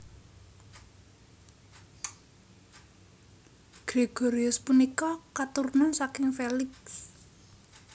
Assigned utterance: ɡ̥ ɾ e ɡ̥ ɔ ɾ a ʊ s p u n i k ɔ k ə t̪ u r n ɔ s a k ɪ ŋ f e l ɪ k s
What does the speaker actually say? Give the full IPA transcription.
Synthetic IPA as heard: ɡ̥ ɾ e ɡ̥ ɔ ɾ i ʊ s p u n i k ɔ k a t̪ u r n ɔ s a k ɪ ŋ f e l ɪ k s